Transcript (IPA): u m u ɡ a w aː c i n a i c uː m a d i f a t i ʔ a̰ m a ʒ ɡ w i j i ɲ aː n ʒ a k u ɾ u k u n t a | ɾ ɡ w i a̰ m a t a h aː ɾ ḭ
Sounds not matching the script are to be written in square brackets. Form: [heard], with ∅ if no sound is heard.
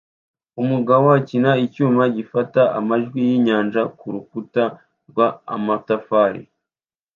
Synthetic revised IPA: u m u ɡ a w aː c i n a i c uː m a [ɟ] i f a t [a] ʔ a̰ m a ʒ ɡ w i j i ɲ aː n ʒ a k u ɾ u k u [∅] t a | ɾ ɡ w [a] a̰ m a t a [f] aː ɾ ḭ